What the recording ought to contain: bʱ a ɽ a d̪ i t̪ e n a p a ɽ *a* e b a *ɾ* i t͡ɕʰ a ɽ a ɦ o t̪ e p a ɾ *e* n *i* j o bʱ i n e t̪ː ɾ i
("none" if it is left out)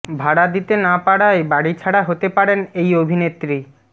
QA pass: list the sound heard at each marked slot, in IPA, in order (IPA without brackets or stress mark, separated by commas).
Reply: a, ɽ, e, e